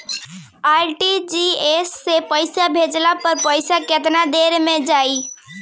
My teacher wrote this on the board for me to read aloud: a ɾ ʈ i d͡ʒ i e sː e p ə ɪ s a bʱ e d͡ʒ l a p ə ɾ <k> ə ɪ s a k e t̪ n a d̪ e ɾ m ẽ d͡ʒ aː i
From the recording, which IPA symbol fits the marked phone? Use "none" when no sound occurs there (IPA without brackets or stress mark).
p